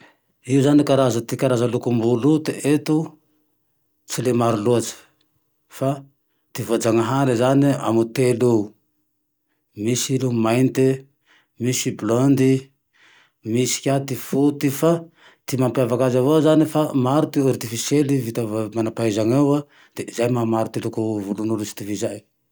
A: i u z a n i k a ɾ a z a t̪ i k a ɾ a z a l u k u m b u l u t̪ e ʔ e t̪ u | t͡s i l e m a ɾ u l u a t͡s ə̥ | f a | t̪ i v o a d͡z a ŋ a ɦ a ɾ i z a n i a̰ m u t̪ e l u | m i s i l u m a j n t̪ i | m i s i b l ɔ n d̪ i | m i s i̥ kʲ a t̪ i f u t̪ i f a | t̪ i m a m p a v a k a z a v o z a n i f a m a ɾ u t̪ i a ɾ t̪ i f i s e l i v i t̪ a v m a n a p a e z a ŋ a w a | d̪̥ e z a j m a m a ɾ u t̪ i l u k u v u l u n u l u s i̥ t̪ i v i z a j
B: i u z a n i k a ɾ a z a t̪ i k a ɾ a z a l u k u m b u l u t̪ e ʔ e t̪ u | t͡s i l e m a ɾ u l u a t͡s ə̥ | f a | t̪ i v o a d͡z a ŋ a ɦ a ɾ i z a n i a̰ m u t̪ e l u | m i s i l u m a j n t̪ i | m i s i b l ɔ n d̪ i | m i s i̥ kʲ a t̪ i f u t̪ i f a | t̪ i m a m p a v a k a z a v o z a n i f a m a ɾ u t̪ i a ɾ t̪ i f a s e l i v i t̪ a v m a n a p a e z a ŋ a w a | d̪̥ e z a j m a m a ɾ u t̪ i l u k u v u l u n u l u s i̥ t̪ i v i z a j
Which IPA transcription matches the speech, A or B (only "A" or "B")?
A